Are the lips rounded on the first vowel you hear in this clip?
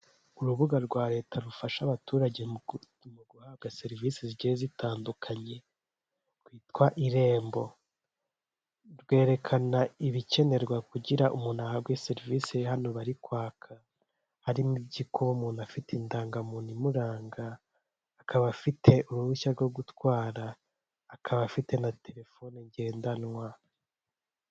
yes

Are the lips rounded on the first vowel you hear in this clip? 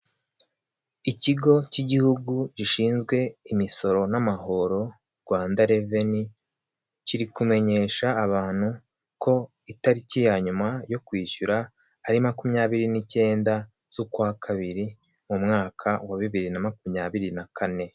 no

